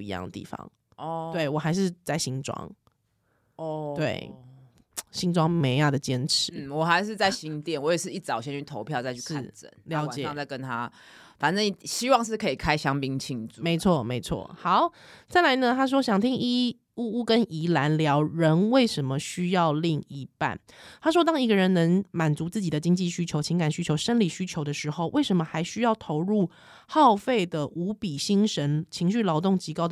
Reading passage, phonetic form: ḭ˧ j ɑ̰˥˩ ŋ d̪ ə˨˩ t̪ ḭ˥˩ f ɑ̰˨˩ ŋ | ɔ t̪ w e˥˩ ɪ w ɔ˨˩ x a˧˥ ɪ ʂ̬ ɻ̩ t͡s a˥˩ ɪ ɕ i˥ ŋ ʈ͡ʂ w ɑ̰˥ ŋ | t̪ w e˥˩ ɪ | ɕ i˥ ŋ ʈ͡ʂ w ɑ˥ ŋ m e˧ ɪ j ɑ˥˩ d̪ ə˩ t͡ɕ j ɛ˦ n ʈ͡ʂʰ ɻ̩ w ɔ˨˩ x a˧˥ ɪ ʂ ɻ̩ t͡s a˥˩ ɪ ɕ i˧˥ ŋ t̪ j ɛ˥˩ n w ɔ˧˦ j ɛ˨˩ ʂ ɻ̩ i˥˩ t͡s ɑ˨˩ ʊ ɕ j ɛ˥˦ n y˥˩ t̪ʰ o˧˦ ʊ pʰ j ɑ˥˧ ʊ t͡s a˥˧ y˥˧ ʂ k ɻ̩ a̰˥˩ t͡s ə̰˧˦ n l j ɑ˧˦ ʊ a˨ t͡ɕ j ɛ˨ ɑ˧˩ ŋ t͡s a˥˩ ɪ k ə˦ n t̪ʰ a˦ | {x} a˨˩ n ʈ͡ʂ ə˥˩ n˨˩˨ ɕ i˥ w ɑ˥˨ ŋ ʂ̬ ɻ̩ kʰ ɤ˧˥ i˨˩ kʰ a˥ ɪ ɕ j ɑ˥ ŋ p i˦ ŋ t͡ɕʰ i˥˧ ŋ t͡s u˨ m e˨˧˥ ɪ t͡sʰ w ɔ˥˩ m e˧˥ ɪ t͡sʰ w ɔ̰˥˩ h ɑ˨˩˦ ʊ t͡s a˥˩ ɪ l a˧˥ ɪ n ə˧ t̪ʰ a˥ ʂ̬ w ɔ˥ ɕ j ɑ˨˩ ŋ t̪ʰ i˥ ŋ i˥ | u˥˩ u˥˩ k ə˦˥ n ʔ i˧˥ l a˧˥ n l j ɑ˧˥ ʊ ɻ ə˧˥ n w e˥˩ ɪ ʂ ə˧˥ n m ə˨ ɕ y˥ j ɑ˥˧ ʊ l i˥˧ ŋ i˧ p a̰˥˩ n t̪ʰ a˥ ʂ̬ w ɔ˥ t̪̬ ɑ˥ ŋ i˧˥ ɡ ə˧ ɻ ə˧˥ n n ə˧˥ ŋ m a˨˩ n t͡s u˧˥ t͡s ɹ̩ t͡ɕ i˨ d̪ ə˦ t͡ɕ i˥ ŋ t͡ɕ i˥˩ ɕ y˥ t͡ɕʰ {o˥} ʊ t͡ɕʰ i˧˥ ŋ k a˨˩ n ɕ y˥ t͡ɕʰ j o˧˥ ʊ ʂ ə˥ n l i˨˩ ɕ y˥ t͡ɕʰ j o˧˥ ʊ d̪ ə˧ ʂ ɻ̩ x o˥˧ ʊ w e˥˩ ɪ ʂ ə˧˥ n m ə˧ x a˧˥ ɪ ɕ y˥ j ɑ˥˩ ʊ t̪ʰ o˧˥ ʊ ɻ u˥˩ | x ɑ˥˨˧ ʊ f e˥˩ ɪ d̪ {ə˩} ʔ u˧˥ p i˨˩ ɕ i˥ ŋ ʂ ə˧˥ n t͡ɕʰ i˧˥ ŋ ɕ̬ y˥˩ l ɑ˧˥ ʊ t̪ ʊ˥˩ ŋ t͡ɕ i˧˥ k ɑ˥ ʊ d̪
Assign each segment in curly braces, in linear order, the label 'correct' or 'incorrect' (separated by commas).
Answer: incorrect, incorrect, correct